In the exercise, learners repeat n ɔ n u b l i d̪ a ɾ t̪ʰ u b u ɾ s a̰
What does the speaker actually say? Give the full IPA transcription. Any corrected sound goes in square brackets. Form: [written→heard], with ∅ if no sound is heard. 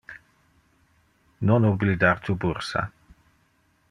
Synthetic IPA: n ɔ n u b l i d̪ a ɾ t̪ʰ u b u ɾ s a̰